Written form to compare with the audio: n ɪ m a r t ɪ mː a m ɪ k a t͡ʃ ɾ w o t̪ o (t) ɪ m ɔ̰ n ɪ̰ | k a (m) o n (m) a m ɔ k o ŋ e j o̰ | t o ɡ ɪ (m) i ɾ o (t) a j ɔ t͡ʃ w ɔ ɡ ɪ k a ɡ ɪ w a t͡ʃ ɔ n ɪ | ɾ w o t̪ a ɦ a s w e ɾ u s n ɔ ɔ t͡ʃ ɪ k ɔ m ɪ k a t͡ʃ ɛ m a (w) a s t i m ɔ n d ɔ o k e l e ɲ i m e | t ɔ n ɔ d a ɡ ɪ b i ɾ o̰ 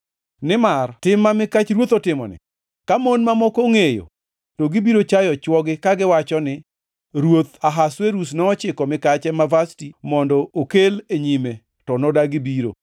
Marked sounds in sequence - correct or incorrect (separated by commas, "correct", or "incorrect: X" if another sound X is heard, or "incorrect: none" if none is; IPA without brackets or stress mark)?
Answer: correct, correct, correct, incorrect: b, incorrect: t͡ʃ, incorrect: v